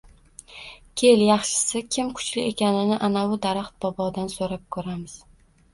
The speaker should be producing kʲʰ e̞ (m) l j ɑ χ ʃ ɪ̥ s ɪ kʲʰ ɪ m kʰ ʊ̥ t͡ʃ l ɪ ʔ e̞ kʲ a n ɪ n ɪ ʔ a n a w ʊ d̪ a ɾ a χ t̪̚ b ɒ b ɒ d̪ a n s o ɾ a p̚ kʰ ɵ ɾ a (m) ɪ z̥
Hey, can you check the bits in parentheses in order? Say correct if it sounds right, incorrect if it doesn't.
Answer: incorrect: none, correct

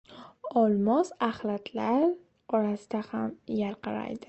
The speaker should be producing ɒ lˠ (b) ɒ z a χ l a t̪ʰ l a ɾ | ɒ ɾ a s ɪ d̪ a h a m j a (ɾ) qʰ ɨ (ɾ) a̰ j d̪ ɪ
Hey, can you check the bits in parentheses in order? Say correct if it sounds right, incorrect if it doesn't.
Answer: incorrect: m, correct, correct

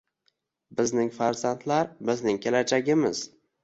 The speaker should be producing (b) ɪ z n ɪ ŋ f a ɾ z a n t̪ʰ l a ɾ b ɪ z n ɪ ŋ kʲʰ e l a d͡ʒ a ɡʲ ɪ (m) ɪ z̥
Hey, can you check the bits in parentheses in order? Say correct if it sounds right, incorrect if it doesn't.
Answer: correct, correct

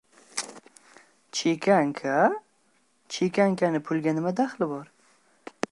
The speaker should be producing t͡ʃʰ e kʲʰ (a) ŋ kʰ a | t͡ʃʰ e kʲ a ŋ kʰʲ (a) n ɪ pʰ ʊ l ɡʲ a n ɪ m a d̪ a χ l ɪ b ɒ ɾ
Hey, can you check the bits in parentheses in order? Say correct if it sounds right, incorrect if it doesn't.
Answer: correct, correct

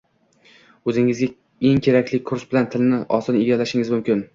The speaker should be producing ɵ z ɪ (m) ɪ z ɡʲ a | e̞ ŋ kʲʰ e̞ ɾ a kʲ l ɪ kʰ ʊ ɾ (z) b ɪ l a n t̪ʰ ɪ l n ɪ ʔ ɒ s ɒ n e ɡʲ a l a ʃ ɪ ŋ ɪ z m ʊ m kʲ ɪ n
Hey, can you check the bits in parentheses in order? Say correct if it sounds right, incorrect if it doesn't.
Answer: incorrect: ŋ, incorrect: s

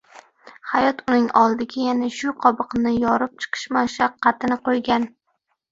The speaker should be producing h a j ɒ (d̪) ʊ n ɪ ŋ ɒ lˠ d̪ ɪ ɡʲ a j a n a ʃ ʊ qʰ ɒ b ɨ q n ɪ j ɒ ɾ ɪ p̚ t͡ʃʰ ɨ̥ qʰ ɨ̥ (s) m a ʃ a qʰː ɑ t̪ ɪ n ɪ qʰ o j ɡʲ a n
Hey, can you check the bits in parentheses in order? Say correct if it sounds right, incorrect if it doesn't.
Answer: incorrect: t̪, incorrect: ʃ

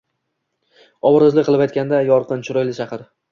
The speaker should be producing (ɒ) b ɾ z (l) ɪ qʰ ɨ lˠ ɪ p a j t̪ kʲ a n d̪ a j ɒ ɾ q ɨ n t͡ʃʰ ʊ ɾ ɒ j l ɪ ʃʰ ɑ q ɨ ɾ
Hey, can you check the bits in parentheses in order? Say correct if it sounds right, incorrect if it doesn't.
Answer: correct, correct

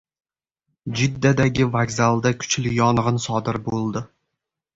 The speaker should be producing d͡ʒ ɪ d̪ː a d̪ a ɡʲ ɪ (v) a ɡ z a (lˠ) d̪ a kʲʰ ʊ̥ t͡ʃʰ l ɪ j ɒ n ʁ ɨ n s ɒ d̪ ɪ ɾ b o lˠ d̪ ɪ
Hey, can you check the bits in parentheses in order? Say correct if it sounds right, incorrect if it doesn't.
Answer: correct, correct

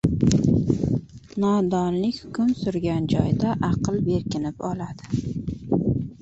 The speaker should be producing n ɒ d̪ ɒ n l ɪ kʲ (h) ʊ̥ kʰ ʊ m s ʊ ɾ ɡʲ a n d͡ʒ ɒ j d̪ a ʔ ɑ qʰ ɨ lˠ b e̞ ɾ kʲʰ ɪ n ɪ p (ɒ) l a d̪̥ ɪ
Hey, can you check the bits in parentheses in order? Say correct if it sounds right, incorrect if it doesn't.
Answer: correct, correct

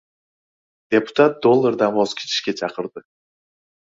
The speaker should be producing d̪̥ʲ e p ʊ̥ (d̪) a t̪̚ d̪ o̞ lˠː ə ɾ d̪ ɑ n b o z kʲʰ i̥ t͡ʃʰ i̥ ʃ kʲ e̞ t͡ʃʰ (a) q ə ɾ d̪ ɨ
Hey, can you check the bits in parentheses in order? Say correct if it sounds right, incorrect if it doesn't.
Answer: incorrect: t̪, incorrect: ɑ

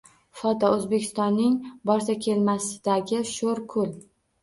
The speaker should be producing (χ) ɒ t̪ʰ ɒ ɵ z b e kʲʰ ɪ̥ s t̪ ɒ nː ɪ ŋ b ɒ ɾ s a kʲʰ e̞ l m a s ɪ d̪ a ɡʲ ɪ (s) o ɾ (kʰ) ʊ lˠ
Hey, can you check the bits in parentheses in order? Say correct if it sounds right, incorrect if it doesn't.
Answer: incorrect: f, incorrect: ʃ, correct

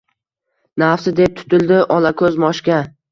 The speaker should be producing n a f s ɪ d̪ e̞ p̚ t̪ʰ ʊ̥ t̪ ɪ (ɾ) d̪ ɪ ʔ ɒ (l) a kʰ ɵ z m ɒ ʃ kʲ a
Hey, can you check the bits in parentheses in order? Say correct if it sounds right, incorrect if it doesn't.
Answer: incorrect: l, correct

